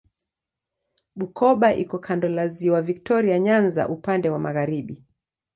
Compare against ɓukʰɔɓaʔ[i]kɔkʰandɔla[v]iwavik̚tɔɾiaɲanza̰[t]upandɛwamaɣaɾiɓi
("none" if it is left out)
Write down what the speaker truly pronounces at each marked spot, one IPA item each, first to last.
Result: i, z, ʔ

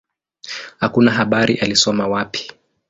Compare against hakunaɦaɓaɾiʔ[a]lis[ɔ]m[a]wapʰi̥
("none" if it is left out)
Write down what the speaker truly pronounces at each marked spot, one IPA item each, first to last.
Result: a, ɔ, a

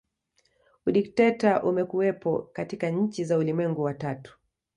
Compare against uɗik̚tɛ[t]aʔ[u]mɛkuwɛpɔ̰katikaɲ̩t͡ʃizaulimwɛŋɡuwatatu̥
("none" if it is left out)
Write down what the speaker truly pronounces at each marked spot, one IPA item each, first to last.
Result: t, u

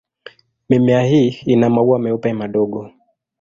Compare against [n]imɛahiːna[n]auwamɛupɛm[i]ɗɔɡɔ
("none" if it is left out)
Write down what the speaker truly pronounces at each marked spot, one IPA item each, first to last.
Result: m, m, a

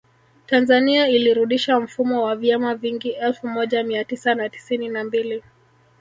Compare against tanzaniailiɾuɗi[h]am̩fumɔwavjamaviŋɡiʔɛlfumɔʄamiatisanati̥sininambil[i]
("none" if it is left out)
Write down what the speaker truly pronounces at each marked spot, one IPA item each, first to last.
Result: ʃ, i

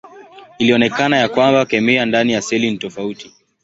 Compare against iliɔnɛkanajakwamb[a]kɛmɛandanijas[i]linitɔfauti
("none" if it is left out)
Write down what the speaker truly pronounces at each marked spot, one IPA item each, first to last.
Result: a, ɛ

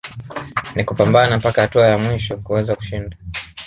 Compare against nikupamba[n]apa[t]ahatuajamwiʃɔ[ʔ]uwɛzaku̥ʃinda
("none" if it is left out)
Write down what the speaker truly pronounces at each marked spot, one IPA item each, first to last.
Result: n, k, k

